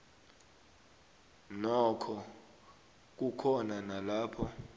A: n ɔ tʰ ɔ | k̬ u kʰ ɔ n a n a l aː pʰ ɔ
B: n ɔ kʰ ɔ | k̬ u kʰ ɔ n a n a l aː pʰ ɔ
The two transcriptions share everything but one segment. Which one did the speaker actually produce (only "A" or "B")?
B